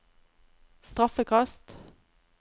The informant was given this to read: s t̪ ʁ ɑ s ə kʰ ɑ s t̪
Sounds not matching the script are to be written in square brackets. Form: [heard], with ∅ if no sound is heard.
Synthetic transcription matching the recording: s t̪ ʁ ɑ [f] ə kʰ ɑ s t̪